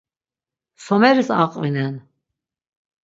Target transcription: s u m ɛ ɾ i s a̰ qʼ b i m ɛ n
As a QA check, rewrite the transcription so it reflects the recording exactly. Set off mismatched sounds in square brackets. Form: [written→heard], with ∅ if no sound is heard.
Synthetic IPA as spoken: s [u→ɔ] m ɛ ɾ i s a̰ qʼ [b→v] i [m→n] ɛ n